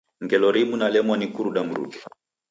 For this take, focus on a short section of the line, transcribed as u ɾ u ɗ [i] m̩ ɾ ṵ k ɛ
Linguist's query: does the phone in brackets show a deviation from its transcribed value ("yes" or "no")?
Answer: yes